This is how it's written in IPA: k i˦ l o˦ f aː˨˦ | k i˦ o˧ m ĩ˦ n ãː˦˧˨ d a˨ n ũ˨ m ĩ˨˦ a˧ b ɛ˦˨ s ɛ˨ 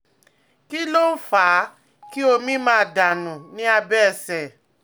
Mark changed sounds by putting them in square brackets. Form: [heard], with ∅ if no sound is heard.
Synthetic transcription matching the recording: k i˦ l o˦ f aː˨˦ | k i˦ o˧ m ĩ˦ [m] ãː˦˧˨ d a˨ n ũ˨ [n] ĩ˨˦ a˧ b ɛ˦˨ s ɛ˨